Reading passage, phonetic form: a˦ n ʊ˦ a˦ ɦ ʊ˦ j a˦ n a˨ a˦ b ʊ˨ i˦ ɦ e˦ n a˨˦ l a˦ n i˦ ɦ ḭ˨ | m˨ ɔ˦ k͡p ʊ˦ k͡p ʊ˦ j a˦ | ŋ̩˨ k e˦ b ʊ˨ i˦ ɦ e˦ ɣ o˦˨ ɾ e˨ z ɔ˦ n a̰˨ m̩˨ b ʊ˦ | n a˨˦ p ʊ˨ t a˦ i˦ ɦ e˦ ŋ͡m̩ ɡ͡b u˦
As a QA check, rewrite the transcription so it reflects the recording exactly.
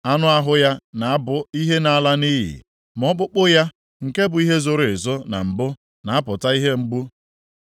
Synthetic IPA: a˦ n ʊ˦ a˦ ɦ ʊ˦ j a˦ n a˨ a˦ b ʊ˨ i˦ ɦ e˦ n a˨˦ l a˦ n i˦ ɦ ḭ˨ | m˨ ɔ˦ k͡p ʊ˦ k͡p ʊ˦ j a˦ | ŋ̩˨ k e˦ b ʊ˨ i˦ ɦ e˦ z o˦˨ ɾ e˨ z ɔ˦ n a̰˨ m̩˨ b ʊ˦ | n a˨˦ p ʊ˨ t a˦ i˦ ɦ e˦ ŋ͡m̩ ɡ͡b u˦